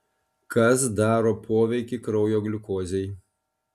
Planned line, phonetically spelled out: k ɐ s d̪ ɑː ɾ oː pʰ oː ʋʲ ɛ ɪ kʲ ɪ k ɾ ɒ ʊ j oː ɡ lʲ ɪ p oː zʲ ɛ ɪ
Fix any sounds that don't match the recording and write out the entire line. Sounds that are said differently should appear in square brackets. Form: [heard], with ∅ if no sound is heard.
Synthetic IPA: k ɐ s d̪ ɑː ɾ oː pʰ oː ʋʲ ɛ ɪ kʲ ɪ k ɾ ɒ ʊ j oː ɡ lʲ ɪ [k] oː zʲ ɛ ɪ